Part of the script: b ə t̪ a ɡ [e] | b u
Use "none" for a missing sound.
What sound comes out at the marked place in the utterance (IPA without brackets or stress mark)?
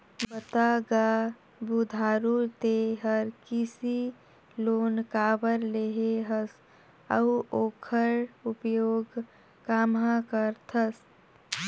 a